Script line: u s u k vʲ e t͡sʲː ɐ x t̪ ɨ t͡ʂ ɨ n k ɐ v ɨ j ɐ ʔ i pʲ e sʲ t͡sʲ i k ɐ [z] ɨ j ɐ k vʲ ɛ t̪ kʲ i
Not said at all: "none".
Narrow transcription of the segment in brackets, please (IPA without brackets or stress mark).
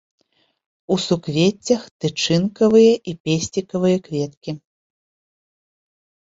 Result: v